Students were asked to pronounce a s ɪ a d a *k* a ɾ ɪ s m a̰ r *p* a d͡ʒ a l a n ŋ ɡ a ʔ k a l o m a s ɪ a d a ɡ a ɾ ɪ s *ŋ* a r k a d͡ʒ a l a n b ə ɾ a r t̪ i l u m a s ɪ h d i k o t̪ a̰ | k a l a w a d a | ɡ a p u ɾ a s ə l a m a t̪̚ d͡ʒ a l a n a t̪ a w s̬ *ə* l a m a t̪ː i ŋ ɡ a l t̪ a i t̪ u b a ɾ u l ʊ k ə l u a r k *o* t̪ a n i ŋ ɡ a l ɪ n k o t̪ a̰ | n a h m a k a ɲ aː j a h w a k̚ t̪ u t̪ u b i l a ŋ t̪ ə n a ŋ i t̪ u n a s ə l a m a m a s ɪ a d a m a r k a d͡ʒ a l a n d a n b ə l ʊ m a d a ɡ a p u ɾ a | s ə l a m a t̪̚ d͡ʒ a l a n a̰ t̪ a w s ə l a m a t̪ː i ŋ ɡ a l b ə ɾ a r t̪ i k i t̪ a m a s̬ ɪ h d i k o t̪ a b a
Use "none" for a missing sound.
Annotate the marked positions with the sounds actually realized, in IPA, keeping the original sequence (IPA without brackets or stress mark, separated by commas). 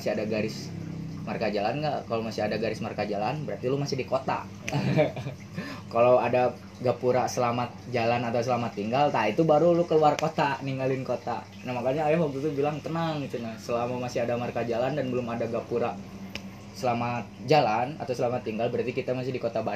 ɡ, k, m, ə, o